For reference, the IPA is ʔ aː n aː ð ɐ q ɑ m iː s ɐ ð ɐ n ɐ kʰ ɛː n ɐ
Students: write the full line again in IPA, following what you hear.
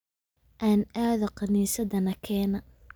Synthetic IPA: ʔ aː n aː ð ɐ q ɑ n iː s ɐ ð ɐ n ɐ kʰ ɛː n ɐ